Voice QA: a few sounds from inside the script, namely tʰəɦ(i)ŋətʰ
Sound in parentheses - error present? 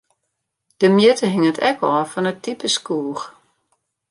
yes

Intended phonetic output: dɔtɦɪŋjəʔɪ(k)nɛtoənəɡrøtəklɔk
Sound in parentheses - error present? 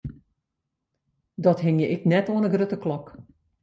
no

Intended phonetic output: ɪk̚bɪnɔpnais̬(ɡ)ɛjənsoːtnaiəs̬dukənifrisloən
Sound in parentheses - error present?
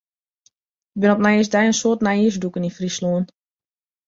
yes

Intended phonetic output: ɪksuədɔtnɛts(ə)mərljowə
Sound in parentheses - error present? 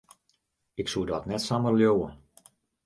yes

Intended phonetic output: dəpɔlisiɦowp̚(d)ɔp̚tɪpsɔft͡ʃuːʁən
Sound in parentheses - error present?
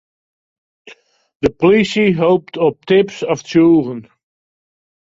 yes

